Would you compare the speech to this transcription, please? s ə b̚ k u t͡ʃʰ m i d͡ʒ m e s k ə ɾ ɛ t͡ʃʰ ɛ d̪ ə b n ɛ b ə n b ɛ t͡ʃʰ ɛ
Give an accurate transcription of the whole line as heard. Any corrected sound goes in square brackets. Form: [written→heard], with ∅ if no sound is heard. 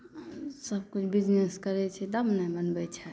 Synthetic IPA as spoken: s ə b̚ k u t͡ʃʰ [m→b] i d͡ʒ [m→n] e s k ə ɾ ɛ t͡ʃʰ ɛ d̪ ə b n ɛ b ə n b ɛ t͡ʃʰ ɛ